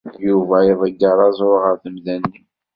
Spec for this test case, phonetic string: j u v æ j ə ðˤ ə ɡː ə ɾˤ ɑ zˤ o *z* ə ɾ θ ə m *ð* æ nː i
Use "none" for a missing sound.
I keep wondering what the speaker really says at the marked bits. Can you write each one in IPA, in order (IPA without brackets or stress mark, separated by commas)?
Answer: ʁ, ð